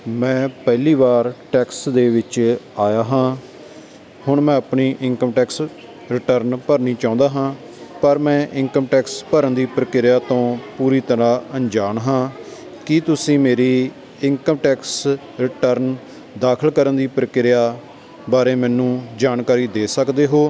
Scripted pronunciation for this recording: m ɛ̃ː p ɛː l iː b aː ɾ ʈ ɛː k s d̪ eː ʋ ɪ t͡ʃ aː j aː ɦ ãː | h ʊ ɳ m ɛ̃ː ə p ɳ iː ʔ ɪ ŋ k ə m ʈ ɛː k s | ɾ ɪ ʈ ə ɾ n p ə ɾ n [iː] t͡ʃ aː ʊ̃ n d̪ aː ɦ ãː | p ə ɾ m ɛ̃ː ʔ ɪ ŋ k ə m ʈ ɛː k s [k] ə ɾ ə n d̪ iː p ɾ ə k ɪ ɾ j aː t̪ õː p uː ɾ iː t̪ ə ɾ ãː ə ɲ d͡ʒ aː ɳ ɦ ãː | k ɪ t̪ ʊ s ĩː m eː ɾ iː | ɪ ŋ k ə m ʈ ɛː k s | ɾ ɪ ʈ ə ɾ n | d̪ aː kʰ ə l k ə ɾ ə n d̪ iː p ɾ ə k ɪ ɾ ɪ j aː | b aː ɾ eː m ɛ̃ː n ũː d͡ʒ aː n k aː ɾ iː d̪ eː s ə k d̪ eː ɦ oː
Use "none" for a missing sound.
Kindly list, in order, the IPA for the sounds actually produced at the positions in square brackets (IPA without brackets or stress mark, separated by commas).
iː, p